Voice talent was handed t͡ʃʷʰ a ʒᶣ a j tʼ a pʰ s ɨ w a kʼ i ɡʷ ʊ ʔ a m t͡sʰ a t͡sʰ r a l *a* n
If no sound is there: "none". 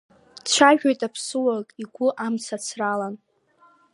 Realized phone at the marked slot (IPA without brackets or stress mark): a